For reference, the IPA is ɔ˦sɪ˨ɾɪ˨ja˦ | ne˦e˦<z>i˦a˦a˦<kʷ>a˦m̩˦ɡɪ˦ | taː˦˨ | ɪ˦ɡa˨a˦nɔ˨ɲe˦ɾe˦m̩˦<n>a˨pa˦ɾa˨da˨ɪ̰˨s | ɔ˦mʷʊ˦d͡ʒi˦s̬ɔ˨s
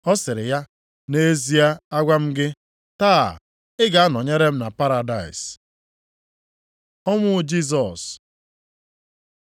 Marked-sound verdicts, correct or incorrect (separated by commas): correct, incorrect, correct